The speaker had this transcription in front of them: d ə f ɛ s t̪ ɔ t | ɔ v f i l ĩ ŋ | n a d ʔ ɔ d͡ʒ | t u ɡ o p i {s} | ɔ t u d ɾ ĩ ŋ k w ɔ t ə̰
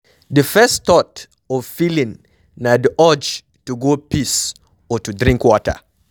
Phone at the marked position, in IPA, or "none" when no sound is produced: s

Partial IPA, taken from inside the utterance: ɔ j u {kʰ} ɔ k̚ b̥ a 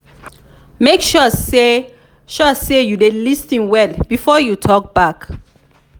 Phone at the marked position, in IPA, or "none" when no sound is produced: tʰ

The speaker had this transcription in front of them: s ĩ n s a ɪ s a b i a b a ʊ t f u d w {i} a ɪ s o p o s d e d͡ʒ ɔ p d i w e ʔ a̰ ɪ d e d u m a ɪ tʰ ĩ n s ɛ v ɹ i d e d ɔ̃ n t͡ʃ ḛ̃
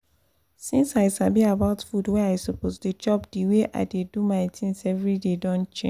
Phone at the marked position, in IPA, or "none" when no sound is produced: ɛ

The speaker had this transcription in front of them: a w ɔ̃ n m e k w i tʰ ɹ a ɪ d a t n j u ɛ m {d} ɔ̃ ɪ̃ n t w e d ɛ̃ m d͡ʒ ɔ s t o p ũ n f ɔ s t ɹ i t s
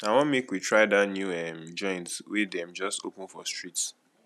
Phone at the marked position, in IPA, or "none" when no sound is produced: d͡ʒ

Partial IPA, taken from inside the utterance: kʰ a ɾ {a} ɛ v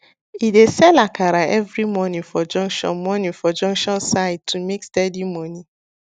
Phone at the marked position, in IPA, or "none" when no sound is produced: a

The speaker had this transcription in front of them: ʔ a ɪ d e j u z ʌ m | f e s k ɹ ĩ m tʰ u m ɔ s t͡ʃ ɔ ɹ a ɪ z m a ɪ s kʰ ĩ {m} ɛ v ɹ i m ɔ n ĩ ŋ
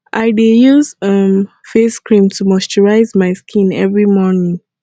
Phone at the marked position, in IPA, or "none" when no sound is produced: n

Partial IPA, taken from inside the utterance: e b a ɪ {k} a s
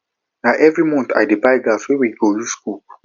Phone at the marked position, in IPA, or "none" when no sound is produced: ɡ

